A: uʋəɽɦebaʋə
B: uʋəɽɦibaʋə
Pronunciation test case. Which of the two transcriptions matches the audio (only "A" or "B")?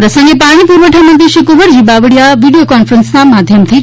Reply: B